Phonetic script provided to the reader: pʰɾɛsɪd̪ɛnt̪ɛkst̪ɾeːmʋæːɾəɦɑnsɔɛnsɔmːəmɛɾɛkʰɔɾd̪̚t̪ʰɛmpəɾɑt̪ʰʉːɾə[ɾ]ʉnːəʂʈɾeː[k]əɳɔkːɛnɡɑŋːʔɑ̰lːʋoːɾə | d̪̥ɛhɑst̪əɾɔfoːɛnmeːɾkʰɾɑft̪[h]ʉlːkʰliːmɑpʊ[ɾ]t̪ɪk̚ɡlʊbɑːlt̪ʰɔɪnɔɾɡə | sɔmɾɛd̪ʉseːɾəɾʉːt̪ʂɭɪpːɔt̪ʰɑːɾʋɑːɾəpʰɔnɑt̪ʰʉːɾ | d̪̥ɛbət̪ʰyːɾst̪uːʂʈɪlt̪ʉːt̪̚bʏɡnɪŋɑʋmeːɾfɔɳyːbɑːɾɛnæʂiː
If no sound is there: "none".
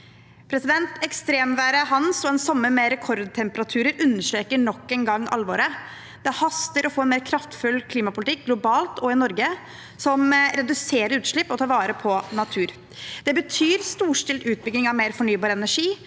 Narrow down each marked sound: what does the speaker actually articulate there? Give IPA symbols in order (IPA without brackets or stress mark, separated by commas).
ɾ, k, f, l